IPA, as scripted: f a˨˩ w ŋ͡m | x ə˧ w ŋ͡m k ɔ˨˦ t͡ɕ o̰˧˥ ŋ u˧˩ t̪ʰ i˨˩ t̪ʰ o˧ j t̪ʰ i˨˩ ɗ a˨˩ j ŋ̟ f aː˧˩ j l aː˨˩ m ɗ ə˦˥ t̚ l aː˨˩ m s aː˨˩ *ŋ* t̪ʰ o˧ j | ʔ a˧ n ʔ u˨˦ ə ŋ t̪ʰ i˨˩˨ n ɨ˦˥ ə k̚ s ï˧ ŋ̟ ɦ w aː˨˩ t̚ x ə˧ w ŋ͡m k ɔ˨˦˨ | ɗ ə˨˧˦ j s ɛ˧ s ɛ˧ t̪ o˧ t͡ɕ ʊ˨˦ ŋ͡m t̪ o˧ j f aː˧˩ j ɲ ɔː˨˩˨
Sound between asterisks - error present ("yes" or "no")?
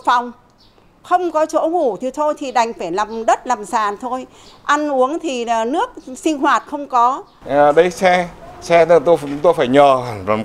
yes